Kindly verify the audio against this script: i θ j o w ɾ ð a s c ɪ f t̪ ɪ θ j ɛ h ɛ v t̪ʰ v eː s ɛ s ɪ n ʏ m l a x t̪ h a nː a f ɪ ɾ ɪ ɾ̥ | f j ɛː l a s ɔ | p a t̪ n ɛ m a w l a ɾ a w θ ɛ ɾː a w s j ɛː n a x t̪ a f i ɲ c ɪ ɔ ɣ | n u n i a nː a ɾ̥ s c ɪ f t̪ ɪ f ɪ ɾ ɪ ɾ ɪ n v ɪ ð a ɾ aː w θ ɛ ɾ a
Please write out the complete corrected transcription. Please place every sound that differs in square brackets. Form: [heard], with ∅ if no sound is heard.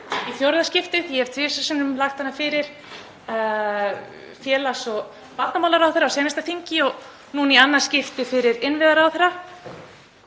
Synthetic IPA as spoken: i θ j o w ɾ ð a s c ɪ f t̪ ɪ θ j ɛ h ɛ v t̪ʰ v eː s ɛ s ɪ n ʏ m l a x t̪ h a nː a f ɪ ɾ ɪ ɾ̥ | f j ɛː l a s ɔ | p a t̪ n [a] m a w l a ɾ a w θ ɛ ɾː a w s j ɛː n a [s] t̪ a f i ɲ c ɪ ɔ ɣ | n u n i a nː a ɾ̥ s c ɪ f t̪ ɪ f ɪ ɾ ɪ ɾ ɪ n v ɪ ð a ɾ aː w θ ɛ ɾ a

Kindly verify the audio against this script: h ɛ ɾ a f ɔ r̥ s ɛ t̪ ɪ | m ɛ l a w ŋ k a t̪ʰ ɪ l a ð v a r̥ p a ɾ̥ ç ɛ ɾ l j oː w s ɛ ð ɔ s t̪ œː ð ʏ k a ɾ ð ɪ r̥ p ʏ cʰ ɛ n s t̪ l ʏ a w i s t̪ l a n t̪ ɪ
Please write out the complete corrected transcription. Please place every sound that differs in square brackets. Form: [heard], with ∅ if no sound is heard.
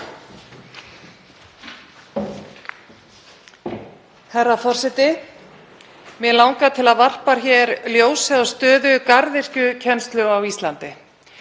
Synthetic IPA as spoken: h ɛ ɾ a f ɔ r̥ s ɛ t̪ ɪ | m ɛ l a w ŋ k a t̪ʰ ɪ l a ð v a r̥ p a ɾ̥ ç ɛ ɾ l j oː w s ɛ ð ɔ s t̪ œː ð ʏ k a ɾ ð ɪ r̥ [c] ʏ cʰ ɛ n s t̪ l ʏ a w i s t̪ l a n t̪ ɪ

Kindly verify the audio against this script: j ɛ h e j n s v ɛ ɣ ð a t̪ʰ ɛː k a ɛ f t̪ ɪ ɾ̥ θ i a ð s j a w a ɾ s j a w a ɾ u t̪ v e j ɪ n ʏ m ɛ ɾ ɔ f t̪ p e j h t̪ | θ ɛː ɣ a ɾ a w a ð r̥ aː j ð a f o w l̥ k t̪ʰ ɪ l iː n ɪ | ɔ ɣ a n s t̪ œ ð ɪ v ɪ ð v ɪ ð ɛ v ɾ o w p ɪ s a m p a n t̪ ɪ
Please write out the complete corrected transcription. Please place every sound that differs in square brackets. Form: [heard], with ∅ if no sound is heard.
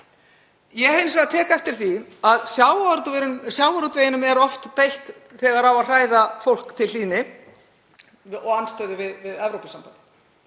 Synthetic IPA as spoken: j ɛ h e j n s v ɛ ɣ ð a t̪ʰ ɛː k a ɛ f t̪ ɪ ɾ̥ θ i a ð s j a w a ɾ s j a w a ɾ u t̪ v e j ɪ n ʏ m ɛ ɾ ɔ f t̪ p e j h t̪ | θ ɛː ɣ a ɾ a w a ð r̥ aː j ð a f o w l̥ k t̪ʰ ɪ l iː n ɪ | ɔ ɣ a n s t̪ œ ð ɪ v ɪ ð v ɪ ð ɛ v ɾ o w p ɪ s a m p a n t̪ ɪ

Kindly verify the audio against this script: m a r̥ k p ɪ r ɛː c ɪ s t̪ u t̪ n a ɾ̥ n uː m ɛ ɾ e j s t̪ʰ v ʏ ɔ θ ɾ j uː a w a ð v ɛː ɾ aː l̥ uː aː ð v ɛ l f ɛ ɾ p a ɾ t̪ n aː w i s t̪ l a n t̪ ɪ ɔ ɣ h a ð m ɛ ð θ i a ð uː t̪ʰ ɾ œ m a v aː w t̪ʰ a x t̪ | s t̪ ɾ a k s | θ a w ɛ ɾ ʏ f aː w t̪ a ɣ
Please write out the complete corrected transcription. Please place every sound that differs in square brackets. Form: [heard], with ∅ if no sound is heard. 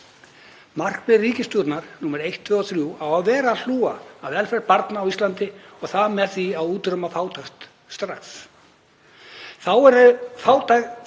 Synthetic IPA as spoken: m a r̥ k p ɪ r [iː] c ɪ s t̪ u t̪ n a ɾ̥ n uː m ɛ ɾ e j [h] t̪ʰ v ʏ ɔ θ ɾ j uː a w a ð v ɛː ɾ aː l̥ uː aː ð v ɛ l f ɛ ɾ p a ɾ t̪ n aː w i s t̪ l a n t̪ ɪ ɔ ɣ [θ] a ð m ɛ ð θ i a ð uː [t̪] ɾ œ m a [f] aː w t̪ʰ a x t̪ | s t̪ ɾ a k s | θ a w ɛ ɾ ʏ f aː w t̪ a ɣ

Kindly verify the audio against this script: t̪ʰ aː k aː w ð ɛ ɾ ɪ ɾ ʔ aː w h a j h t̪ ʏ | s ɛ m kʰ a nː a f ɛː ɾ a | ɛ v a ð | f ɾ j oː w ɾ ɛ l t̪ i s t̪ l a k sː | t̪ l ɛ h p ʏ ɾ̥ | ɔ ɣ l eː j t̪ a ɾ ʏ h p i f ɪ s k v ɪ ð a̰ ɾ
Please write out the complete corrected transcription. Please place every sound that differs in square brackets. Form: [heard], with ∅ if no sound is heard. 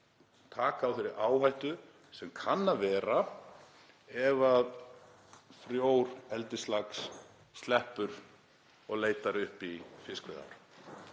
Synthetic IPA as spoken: t̪ʰ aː k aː w [θ] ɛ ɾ ɪ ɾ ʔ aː w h a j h t̪ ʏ | s ɛ m kʰ a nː a [v] ɛː ɾ a | ɛ v a ð | f ɾ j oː w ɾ ɛ l t̪ [ɪ] s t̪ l a k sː | t̪ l ɛ h p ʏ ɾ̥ | ɔ ɣ l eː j t̪ a ɾ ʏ h p i f ɪ s k v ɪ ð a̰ ɾ

